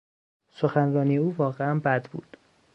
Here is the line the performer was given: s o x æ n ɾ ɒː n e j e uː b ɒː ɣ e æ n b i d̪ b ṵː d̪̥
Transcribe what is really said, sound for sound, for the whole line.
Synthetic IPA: s o x æ n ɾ ɒː n i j e uː v ɒː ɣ e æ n b æ d̪ b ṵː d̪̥